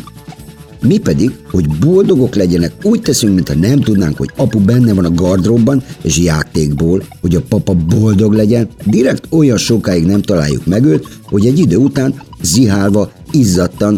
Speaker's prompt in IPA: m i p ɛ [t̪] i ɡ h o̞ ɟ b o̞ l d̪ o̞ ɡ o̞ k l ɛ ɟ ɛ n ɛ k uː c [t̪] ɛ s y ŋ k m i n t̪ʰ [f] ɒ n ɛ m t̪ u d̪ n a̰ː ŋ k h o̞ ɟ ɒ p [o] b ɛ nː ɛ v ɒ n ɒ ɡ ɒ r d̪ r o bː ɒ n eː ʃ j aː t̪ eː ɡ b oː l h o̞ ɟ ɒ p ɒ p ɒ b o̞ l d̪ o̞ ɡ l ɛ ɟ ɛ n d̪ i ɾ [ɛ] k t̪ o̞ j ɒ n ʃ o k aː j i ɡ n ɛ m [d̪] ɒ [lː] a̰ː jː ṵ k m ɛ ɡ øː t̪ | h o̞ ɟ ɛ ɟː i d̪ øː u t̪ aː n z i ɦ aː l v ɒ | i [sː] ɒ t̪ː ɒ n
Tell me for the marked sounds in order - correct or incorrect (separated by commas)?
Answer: incorrect, correct, incorrect, incorrect, correct, incorrect, incorrect, incorrect